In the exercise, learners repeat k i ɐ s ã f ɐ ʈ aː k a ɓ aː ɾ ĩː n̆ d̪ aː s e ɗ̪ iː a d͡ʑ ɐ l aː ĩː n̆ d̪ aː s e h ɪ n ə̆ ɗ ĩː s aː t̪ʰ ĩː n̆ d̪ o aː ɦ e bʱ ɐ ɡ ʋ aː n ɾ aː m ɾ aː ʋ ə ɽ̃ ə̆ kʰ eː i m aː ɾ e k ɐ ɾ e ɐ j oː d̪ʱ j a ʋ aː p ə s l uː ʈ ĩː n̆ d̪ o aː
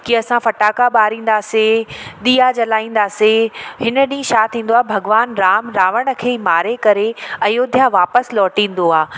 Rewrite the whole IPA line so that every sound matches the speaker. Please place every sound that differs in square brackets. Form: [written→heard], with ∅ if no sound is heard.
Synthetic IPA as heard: k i ɐ s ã f ɐ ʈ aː k a ɓ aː ɾ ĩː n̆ d̪ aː s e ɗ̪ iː a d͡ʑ ɐ l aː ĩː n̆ d̪ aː s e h ɪ n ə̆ ɗ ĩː [s→ʃ] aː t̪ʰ ĩː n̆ d̪ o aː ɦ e bʱ ɐ ɡ ʋ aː n ɾ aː m ɾ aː ʋ ə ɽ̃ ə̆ kʰ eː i m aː ɾ e k ɐ ɾ e ɐ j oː d̪ʱ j a ʋ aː p ə s l [uː→ɔː] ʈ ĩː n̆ d̪ o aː